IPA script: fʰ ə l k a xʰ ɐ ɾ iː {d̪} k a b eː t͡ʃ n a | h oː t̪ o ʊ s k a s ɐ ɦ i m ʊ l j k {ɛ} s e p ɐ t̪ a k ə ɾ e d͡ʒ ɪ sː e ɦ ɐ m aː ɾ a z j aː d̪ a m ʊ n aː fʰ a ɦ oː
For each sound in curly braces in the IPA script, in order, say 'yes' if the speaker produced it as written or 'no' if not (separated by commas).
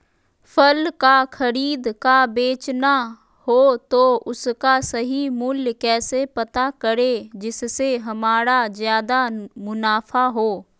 yes, no